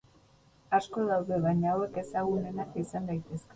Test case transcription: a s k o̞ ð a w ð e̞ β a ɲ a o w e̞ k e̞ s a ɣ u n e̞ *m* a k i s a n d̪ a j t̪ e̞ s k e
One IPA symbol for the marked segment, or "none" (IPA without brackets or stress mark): n